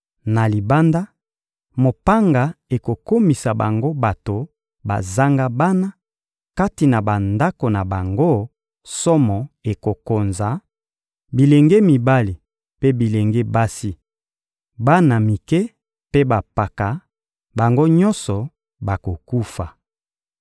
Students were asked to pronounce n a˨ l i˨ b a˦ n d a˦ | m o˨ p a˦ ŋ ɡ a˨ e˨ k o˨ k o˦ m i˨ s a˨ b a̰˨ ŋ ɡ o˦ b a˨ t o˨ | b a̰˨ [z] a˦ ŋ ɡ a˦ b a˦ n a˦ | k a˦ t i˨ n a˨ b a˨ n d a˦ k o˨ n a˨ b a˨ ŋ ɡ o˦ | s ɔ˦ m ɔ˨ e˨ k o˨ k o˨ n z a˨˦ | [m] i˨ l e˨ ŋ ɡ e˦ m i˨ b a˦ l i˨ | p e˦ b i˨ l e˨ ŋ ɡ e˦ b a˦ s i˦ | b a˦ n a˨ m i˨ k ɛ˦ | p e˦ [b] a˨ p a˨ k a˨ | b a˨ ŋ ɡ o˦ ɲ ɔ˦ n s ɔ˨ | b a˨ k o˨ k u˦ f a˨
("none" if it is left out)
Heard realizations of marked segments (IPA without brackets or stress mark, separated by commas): z, b, b